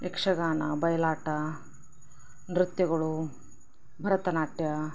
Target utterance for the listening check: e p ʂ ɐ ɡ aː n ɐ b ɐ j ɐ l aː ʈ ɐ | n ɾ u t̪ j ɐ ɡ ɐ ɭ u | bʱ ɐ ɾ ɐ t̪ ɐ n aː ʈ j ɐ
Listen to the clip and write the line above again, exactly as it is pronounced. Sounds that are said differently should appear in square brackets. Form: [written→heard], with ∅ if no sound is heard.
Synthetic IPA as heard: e [p→k] ʂ ɐ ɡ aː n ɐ b ɐ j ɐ l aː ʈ ɐ | n ɾ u t̪ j ɐ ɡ ɐ ɭ u | bʱ ɐ ɾ ɐ t̪ ɐ n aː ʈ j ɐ